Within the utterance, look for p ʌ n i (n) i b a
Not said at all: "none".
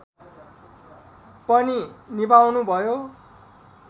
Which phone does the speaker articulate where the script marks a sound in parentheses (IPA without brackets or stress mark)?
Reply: n